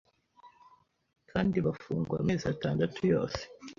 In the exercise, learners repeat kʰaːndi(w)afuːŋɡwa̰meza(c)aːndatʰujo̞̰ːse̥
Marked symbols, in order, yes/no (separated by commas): no, no